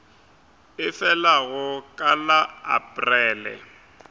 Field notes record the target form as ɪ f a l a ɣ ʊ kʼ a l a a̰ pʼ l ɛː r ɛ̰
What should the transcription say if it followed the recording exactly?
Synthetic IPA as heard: ɪ f ɛ l a ɣ ʊ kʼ a l a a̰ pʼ r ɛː l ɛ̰

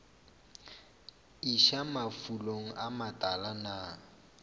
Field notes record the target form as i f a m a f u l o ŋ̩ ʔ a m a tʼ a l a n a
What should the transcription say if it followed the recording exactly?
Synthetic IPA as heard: i ʃ a m a f u l o ŋ̩ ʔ a m a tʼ a l a n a

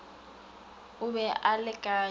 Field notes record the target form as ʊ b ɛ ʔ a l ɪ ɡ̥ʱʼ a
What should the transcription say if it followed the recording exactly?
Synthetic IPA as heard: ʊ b ɛ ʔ a l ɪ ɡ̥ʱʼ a

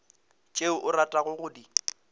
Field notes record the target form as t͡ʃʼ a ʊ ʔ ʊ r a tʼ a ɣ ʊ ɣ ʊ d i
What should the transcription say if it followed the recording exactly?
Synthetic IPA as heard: t͡ʃʼ e ʊ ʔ ʊ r a tʼ a ɣ ʊ ɣ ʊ d i

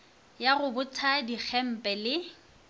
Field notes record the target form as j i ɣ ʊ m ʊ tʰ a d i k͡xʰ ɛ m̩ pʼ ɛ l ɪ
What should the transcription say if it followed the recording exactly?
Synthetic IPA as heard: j a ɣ ʊ b ʊ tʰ a d i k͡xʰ ɛ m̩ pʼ ɛ l ɪ

